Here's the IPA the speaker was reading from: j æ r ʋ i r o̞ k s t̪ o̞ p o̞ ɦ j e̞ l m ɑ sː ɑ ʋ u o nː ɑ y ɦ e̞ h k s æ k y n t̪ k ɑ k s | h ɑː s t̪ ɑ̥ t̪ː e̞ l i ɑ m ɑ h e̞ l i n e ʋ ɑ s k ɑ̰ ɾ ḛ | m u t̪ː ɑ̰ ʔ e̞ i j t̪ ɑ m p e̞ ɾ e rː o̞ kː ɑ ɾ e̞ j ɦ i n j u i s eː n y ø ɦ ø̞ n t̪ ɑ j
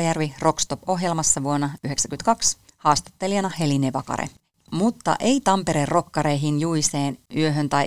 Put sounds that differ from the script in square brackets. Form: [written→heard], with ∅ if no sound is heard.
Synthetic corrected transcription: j æ r ʋ i r o̞ k s t̪ o̞ p o̞ ɦ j e̞ l m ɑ sː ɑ ʋ u o nː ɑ y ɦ e̞ [h→∅] k s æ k y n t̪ k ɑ k s | h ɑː s t̪ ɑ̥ t̪ː e̞ l i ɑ [m→n] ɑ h e̞ l i n e ʋ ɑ [s→∅] k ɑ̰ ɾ ḛ | m u t̪ː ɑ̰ ʔ e̞ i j t̪ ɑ m p e̞ ɾ e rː o̞ kː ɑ ɾ e̞ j ɦ i n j u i s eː n y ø ɦ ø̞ n t̪ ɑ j